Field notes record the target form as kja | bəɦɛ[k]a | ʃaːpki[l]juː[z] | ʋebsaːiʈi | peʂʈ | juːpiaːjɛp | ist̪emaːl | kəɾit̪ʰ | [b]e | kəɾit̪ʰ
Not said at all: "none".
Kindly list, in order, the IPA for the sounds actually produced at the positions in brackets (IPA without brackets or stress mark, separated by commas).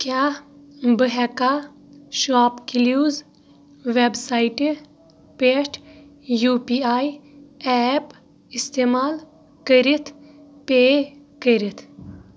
k, l, z, p